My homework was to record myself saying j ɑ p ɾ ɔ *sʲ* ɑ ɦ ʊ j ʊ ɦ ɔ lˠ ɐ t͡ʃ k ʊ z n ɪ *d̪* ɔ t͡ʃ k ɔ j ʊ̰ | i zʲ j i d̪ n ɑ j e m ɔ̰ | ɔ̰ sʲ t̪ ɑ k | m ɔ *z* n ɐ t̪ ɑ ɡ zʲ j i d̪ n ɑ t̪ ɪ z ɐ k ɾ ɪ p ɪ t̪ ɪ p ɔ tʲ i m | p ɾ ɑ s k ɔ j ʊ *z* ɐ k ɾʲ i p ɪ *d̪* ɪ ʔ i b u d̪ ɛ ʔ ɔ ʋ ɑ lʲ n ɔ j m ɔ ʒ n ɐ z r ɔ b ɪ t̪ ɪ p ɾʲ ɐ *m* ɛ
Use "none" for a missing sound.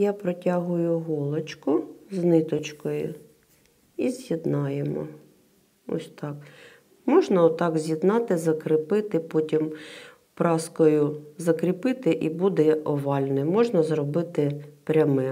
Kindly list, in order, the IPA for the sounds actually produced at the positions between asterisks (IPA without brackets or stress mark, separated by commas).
tʲ, t̪, ʒ, z, t̪, m